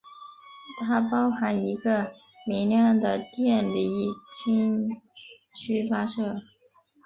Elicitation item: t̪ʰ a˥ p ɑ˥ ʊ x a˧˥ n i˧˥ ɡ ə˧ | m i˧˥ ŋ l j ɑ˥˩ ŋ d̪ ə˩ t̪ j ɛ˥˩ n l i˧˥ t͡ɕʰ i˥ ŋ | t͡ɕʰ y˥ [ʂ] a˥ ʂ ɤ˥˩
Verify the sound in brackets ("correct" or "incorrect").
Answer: incorrect